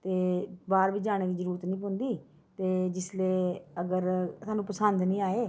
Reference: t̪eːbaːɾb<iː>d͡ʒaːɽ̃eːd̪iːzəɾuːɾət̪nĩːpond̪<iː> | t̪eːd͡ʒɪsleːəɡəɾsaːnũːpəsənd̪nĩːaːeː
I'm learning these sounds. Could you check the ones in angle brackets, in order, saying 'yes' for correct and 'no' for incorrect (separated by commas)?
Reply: yes, yes